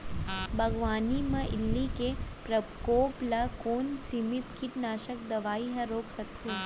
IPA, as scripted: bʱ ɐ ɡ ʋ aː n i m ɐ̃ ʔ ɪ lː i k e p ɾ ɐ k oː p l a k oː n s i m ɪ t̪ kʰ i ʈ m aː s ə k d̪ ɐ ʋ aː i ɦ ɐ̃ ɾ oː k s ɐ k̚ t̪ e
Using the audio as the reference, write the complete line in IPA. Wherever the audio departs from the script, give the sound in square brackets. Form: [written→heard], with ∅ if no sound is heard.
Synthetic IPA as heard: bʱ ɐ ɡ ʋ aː n i m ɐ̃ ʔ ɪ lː i k e p ɾ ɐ k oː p l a k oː n s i m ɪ t̪ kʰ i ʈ [m→n] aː [s→ʃ] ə k d̪ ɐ ʋ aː i ɦ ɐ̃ ɾ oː k s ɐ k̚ t̪ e